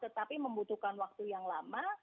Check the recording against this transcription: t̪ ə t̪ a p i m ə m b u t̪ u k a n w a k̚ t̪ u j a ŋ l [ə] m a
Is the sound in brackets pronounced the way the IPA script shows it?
no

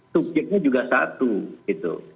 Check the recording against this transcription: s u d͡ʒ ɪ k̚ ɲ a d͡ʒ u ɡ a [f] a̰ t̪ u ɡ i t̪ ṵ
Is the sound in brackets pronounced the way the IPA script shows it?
no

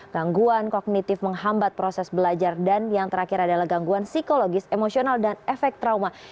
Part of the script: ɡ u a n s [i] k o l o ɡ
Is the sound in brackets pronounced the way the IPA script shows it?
yes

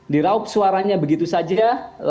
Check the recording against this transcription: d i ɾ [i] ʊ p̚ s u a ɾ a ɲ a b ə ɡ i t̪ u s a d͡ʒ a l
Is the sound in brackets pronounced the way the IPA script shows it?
no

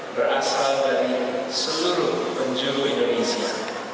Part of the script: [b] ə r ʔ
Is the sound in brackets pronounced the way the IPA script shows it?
yes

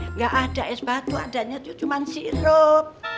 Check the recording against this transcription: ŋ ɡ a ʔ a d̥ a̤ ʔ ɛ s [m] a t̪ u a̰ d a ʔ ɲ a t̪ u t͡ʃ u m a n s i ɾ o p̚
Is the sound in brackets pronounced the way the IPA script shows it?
no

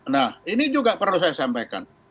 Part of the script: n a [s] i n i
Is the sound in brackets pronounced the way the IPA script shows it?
no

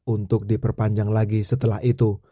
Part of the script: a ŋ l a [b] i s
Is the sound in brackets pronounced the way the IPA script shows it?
no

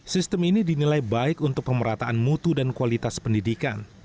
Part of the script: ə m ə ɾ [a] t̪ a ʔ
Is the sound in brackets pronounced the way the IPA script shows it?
yes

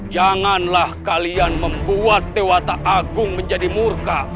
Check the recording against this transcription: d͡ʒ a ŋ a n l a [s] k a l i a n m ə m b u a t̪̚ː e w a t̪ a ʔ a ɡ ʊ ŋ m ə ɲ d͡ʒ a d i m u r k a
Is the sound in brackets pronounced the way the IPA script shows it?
no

